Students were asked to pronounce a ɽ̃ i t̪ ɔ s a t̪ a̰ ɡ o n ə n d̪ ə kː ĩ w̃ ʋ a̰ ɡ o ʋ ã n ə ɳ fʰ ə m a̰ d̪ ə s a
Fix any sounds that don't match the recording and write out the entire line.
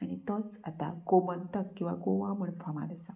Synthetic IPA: a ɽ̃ i t̪ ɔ t͡s a t̪ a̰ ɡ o m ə n t̪ ə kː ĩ w̃ ʋ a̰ ɡ o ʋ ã m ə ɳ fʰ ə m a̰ d̪ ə s a